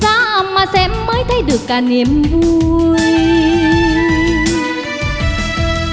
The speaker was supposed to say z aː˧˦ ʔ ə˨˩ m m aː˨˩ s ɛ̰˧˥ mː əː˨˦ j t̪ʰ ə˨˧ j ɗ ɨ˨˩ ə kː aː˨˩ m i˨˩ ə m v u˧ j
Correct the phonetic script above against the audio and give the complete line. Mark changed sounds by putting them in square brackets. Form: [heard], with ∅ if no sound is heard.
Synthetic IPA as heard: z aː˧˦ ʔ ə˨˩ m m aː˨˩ s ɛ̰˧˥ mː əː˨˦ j t̪ʰ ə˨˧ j ɗ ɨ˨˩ ə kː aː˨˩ [n] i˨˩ ə m v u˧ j